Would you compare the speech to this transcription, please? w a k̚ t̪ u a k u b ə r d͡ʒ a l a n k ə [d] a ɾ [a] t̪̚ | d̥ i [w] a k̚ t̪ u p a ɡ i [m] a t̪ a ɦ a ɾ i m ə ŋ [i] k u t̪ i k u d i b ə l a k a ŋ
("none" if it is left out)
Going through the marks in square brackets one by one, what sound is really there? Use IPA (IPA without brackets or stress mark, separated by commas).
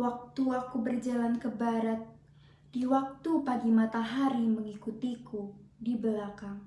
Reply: b, a, w, m, i